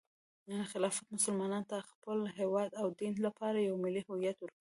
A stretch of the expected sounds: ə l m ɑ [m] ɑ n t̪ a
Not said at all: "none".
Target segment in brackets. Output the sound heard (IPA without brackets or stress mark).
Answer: n